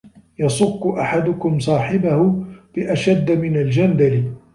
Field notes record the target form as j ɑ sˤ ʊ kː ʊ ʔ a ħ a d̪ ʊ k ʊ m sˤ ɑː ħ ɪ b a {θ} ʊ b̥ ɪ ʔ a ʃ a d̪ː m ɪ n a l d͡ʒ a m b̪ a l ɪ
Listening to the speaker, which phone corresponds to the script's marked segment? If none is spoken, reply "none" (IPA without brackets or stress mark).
h